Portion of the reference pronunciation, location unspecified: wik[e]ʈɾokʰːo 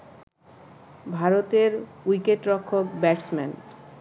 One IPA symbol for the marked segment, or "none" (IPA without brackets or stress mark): e